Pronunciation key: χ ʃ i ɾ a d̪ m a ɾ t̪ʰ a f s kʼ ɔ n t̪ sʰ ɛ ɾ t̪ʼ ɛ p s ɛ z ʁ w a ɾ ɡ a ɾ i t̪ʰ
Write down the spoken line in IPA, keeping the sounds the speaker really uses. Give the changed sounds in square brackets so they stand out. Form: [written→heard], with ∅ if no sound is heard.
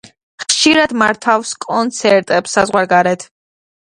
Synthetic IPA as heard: χ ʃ i ɾ a d̪ m a ɾ t̪ʰ a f s kʼ ɔ n t̪ sʰ ɛ ɾ t̪ʼ ɛ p s [ɛ→a] z ʁ w a ɾ ɡ a ɾ [i→ɛ] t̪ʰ